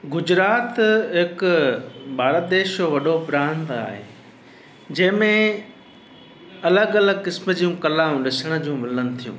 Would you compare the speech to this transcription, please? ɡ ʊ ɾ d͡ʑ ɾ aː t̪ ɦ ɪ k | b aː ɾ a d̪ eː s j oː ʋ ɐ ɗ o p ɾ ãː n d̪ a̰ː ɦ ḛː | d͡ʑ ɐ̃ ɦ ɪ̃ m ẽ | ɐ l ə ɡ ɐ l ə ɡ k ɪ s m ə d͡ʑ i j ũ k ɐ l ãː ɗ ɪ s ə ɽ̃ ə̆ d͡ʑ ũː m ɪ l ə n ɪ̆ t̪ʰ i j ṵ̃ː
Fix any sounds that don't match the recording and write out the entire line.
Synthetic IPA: ɡ ʊ d͡ʑ ɾ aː t̪ ɦ ɪ k | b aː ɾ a d̪ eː ʃ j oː ʋ ɐ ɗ o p ɾ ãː n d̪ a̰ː ɦ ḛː | d͡ʑ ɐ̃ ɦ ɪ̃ m ẽ | ɐ l ə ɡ ɐ l ə ɡ k ɪ s m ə d͡ʑ i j ũ k ɐ l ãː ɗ ɪ s ə ɽ̃ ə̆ d͡ʑ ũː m ɪ l ə n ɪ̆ t̪ʰ i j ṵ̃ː